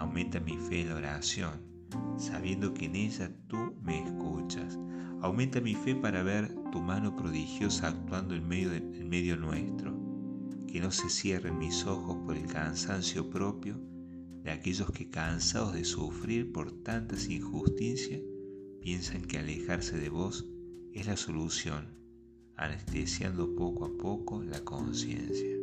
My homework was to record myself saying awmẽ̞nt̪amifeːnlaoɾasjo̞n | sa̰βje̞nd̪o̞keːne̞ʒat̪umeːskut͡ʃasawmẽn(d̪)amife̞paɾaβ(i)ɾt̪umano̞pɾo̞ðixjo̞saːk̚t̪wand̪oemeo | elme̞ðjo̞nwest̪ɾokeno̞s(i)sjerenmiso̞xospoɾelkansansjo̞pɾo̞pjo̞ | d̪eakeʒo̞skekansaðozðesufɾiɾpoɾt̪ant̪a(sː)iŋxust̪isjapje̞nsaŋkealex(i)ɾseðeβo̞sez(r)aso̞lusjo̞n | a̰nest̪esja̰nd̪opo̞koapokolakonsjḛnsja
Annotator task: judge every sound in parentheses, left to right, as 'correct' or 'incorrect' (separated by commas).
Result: incorrect, incorrect, incorrect, incorrect, incorrect, incorrect